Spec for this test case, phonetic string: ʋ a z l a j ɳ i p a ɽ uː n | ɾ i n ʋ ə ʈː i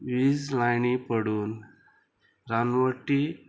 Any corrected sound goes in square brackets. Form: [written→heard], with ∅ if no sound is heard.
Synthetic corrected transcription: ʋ [a→i] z l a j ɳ i p [a→ə] ɽ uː n | ɾ [i→a] n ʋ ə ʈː i